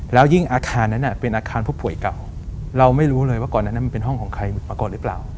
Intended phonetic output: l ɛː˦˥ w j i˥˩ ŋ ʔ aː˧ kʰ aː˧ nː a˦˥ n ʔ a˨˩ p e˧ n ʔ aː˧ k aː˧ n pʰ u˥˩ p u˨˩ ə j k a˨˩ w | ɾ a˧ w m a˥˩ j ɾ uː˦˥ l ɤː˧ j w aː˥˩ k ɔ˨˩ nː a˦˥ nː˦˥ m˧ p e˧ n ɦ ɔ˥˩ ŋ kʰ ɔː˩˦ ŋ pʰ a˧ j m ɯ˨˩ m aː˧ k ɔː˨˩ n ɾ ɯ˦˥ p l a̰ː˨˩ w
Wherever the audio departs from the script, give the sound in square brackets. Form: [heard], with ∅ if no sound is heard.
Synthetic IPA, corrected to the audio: l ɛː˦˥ w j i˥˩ ŋ ʔ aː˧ kʰ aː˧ nː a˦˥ n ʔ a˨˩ p e˧ n ʔ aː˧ [kʰ] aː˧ n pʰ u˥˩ p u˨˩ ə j k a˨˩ w | ɾ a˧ w m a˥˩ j ɾ uː˦˥ l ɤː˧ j w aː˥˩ k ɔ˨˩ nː a˦˥ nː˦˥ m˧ p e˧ n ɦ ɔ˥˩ ŋ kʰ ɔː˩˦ ŋ [kʰ] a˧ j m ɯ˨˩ m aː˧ k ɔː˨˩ n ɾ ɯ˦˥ p l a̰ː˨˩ w